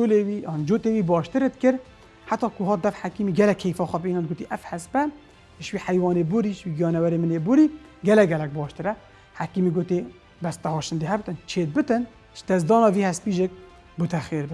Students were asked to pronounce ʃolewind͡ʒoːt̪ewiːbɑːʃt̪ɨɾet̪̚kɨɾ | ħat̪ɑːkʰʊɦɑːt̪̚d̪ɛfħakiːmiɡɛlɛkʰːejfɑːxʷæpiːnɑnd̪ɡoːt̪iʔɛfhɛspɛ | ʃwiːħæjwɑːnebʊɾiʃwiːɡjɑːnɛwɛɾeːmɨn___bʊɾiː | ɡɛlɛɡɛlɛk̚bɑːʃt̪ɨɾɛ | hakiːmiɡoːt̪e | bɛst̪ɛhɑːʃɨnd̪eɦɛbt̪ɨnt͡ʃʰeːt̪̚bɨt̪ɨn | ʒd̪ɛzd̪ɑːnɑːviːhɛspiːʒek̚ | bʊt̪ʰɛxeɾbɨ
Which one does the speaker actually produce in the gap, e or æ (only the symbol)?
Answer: e